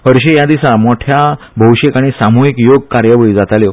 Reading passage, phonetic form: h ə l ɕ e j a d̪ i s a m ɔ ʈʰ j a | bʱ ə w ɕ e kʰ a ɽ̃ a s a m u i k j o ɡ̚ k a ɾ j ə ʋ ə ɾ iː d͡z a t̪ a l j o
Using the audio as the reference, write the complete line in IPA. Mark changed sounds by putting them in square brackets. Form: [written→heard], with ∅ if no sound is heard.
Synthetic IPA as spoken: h ə [l→ɾ] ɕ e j a d̪ i s a m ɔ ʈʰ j a | bʱ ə w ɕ e [kʰ→k] a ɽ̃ [a→i] s a m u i k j o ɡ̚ k a ɾ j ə ʋ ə [ɾ→ɭ] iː d͡z a t̪ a l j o